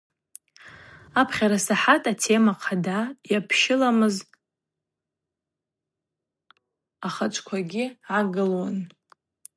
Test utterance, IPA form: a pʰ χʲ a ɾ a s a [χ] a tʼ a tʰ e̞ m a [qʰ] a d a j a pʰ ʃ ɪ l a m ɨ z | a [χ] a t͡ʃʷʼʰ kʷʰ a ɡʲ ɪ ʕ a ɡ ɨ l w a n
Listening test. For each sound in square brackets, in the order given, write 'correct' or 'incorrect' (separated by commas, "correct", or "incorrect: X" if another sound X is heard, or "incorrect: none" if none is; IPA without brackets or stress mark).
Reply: incorrect: ħ, correct, correct